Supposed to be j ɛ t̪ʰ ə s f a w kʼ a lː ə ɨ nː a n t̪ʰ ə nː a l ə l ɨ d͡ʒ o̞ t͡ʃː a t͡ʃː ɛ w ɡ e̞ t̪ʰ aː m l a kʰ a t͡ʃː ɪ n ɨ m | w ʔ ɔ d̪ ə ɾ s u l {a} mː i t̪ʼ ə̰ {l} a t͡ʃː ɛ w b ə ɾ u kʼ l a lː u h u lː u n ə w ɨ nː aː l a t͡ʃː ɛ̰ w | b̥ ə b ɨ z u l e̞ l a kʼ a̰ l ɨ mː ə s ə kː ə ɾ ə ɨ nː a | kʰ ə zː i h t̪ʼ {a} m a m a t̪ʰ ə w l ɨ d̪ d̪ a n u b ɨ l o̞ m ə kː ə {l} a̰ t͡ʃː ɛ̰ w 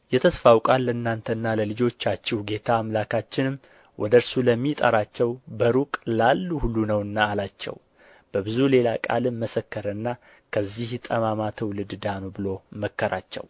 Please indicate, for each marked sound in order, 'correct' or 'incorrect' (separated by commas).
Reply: incorrect, incorrect, incorrect, incorrect